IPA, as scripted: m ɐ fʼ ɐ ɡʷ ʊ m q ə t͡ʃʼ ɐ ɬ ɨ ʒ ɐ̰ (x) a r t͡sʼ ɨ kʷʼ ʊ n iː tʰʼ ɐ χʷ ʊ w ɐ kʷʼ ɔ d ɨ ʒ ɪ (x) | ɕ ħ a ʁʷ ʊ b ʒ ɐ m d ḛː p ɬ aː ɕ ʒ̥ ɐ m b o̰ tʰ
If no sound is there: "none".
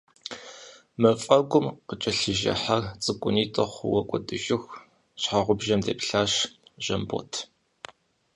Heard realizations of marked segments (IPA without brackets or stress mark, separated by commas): ħ, x